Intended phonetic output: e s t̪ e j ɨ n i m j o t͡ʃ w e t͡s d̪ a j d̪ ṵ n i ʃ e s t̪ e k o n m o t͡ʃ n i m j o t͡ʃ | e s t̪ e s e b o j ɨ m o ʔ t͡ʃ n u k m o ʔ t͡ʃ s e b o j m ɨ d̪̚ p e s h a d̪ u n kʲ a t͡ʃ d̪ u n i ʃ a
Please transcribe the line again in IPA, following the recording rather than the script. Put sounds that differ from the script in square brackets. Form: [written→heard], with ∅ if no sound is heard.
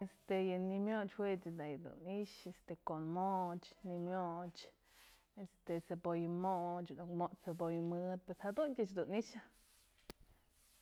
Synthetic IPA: e s t̪ e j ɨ n i m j o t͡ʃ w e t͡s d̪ a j d̪ ṵ n i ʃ e s t̪ e k o n m o t͡ʃ n i m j o t͡ʃ | e s t̪ e s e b o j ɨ m o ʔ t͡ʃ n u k m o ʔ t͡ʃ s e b o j m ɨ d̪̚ p e s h a d̪ u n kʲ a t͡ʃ d̪ u n i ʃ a